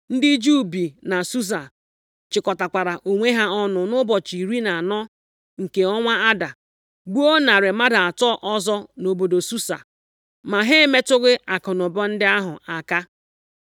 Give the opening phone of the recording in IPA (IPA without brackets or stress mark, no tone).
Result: n̩